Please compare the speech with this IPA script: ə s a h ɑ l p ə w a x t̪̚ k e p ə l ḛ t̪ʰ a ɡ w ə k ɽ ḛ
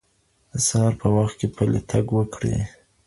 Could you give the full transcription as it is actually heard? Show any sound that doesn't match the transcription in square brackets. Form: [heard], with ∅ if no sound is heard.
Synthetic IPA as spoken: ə s a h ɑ [ɾ] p ə w a x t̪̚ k e p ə l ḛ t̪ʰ a ɡ w ə k ɽ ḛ